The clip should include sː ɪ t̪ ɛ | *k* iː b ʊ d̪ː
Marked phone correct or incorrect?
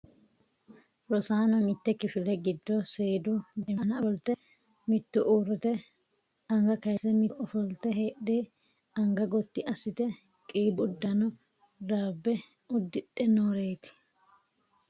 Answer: incorrect: kʼ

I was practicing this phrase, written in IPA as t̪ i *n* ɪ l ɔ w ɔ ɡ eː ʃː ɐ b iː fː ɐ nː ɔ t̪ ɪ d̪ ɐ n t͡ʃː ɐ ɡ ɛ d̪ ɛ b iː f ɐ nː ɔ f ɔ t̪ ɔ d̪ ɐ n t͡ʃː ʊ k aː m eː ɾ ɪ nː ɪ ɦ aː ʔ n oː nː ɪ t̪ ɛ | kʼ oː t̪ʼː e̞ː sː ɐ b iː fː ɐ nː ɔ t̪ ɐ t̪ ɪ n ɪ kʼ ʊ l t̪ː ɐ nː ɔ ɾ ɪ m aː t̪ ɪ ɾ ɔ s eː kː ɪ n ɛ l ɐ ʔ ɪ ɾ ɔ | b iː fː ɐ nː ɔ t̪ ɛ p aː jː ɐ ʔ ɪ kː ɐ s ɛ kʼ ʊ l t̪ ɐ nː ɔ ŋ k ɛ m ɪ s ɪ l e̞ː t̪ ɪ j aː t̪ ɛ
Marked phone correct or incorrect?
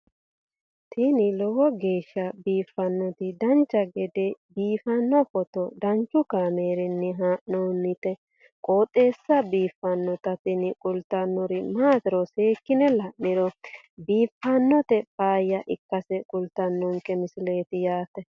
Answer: correct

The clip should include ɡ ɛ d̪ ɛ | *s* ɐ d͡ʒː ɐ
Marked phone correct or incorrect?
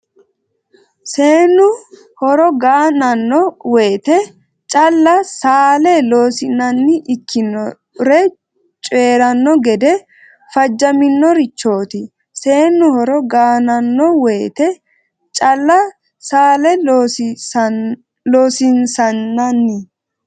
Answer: incorrect: f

